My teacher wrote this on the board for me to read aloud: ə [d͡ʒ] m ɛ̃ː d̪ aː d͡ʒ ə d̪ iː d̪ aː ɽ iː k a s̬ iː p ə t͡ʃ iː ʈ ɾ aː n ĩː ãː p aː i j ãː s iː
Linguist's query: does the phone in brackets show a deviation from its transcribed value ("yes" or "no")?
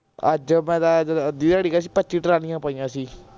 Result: no